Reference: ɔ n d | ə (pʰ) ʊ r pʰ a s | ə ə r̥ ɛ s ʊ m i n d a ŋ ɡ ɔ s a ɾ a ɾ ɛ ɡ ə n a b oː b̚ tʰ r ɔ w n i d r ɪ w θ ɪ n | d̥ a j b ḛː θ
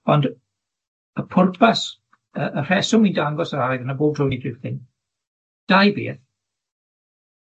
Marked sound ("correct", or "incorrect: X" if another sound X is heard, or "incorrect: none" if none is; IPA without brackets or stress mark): correct